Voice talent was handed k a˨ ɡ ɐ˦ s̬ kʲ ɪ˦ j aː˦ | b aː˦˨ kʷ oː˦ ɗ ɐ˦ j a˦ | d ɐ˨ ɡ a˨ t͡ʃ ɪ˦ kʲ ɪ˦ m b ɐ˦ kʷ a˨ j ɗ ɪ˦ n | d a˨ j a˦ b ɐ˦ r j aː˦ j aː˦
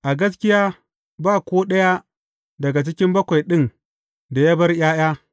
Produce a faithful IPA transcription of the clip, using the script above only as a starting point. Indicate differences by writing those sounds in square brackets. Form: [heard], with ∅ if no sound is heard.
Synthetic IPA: [ʔ] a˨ ɡ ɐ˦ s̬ kʲ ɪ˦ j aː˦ | b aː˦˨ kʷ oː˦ ɗ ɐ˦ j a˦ | d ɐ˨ ɡ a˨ t͡ʃ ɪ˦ kʲ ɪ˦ m b ɐ˦ kʷ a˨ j ɗ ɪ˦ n | d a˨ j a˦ b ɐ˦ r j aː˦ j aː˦